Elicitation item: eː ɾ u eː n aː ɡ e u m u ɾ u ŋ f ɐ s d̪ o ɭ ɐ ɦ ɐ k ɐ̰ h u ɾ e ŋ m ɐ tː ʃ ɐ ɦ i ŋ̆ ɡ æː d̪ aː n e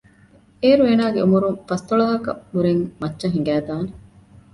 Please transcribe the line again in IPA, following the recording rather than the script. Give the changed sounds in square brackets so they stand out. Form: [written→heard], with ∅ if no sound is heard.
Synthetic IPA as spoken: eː ɾ u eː n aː ɡ e u m u ɾ u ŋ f ɐ s [d̪→t̪] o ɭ ɐ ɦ ɐ k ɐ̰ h u ɾ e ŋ m ɐ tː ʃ ɐ ɦ i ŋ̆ ɡ æː d̪ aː n e